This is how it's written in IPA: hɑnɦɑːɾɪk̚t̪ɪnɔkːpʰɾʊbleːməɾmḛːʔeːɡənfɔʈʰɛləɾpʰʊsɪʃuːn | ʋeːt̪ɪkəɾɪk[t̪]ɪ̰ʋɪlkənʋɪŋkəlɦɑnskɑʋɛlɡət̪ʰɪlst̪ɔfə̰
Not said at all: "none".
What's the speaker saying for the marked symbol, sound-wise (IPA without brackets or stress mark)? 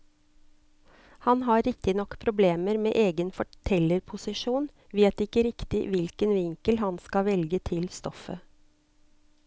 t̪